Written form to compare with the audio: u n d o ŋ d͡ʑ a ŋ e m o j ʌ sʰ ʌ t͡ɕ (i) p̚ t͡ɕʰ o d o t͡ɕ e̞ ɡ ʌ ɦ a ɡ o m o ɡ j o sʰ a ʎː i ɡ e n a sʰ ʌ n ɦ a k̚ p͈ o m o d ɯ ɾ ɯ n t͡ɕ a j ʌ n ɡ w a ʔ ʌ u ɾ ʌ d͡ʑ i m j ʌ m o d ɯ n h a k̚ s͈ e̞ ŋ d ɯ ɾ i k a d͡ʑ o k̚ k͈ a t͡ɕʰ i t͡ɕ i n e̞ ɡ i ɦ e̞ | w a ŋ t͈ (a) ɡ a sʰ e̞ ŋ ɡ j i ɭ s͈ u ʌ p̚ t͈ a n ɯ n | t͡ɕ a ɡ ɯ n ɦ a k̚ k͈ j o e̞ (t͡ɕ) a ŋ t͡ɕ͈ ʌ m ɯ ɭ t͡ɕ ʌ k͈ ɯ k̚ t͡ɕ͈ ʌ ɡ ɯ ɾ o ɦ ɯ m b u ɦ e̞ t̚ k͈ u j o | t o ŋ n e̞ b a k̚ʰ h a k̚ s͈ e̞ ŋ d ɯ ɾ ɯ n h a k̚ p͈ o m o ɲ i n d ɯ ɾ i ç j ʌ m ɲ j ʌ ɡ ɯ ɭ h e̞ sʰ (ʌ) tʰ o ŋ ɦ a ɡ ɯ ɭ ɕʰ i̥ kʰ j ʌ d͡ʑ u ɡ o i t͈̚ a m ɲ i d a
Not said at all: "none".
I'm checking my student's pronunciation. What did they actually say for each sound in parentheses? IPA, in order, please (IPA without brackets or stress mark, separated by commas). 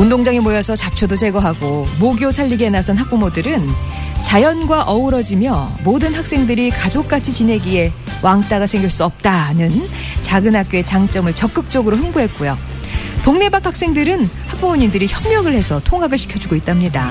a, a, t͡ɕ, ʌ